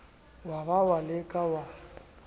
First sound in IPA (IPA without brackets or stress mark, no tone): w